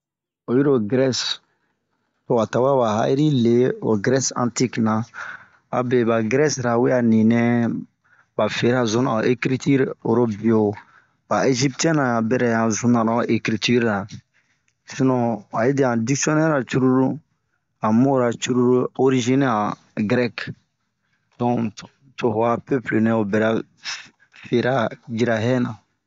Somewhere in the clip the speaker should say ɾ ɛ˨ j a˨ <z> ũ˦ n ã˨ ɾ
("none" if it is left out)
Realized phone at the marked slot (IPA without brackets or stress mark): z